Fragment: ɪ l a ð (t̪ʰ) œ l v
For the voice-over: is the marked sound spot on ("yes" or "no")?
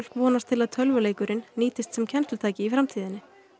yes